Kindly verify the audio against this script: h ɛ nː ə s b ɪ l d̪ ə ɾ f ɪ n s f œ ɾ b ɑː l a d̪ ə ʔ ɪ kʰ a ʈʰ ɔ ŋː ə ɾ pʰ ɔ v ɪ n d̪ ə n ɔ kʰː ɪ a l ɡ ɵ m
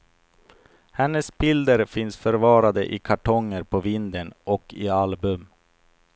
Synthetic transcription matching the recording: h ɛ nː ə s b ɪ l d̪ ə ɾ f ɪ n s f œ ɾ v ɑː ɾ a d̪ ə ʔ ɪ kʰ a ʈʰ ɔ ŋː ə ɾ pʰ ɔ v ɪ n d̪ ə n ɔ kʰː ɪ a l b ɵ m